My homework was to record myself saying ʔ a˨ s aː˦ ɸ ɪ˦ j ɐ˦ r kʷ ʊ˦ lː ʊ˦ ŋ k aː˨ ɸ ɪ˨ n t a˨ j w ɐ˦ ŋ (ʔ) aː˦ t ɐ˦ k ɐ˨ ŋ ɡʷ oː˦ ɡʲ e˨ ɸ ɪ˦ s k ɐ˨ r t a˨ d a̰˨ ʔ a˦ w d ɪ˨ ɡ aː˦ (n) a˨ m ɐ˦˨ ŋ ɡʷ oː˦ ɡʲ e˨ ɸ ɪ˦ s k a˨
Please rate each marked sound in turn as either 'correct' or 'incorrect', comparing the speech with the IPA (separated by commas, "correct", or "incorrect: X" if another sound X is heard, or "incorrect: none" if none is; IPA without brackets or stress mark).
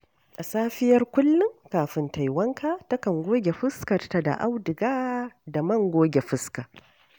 incorrect: k, incorrect: d